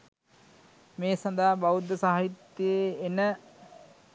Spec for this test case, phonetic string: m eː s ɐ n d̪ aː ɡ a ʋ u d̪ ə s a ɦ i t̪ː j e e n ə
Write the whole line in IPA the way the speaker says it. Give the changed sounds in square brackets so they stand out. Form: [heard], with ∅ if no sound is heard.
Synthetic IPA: m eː s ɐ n d̪ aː [b] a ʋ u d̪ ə s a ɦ i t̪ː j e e n ə

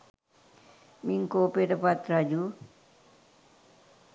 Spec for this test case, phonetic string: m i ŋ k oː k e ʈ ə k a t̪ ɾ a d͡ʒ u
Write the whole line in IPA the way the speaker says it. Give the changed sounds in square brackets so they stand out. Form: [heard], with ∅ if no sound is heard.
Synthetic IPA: m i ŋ k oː [p] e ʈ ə [p] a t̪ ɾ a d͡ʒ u

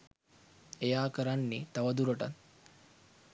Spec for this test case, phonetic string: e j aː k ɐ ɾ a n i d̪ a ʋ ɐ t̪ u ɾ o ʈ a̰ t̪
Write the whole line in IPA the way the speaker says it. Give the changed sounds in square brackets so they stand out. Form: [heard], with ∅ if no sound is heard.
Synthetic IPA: e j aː k [ə] ɾ a [nː] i [t̪] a ʋ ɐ [d̪] u ɾ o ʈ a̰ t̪

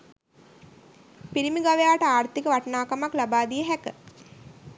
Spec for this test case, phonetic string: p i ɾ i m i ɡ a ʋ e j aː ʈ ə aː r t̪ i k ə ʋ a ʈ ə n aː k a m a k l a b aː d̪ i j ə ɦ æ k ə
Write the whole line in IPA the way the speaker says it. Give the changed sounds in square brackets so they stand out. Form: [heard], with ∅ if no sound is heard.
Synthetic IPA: p i ɾ i m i ɡ a ʋ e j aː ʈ ə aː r t̪ i k ə ʋ a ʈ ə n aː k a m a k l a b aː d̪ i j ə ɦ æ k ə

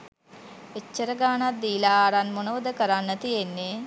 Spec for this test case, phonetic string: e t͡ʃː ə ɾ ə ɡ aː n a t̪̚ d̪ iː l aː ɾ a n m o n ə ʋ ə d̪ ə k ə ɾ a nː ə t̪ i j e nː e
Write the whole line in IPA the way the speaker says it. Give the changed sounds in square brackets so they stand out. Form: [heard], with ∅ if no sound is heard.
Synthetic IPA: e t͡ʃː ə ɾ ə ɡ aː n a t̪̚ d̪ iː l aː ɾ a n m o n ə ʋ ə d̪ ə k ə ɾ a nː ə t̪ i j e nː e

